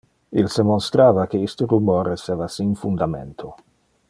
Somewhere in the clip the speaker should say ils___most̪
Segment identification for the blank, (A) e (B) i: A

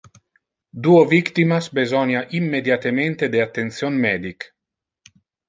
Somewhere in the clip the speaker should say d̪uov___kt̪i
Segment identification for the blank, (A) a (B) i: B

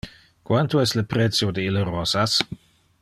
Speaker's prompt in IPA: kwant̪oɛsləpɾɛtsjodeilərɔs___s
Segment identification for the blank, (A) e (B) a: B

